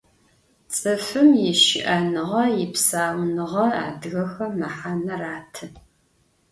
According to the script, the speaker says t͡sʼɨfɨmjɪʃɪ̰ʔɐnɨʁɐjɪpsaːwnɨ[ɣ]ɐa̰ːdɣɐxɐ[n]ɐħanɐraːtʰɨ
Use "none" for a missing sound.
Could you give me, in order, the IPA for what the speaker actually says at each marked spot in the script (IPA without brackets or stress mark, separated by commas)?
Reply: ʁ, m